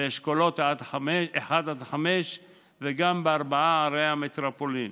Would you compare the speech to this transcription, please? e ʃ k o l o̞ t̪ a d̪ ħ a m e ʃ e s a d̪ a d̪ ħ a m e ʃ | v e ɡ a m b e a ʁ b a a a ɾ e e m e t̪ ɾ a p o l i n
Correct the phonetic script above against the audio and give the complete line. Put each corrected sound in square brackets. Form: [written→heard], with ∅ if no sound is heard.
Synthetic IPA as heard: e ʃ k o l o̞ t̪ a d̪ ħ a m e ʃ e [s→ħ] a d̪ a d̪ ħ a m e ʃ | v e ɡ a m b e a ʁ b a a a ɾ e [e→a] m e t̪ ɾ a p o l i n